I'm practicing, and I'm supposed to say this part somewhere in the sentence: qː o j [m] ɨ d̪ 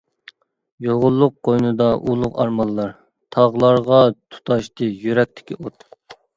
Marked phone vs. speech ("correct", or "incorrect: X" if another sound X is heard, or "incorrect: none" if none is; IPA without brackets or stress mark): incorrect: n